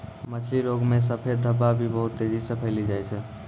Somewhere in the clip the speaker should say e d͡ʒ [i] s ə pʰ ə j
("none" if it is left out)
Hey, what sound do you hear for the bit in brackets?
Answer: i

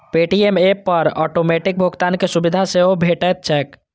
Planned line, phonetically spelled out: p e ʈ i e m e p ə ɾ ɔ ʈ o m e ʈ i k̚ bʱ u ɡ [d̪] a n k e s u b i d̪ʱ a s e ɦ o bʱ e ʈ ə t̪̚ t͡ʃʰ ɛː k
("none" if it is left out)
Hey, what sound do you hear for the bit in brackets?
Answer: t̪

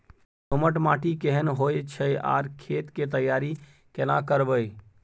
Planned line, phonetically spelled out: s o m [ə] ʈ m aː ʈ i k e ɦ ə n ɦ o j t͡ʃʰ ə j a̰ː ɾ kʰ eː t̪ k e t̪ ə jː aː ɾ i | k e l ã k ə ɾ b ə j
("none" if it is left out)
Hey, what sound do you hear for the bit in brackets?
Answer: ə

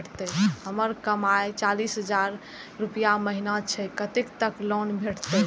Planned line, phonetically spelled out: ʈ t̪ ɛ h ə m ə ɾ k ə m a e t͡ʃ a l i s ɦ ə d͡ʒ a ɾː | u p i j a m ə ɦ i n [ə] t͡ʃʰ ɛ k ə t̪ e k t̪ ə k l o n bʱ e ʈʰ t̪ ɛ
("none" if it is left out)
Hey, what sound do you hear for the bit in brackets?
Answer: a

